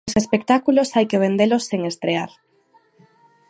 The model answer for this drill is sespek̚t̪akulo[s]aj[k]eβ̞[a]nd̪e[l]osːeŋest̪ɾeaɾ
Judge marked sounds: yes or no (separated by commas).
yes, yes, no, yes